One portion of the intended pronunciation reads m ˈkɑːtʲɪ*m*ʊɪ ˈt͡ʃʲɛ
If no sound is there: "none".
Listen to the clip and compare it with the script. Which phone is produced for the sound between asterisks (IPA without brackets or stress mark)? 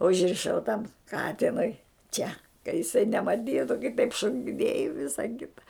n